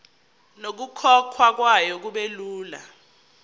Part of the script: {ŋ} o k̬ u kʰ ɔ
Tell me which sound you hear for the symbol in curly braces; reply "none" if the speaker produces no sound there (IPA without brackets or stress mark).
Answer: n